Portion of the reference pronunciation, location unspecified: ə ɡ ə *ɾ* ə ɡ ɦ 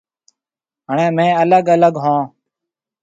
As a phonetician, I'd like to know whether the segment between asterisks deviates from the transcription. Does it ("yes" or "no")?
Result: yes